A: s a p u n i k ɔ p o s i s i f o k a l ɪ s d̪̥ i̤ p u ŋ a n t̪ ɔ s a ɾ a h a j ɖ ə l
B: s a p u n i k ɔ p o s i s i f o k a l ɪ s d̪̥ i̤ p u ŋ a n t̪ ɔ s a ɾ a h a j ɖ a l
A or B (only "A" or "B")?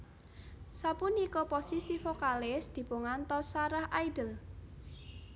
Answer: A